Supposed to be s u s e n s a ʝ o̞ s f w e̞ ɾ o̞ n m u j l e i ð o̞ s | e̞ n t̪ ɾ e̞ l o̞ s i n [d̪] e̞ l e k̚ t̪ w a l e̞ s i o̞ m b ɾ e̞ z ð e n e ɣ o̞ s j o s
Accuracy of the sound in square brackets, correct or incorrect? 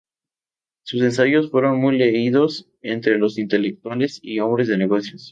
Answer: incorrect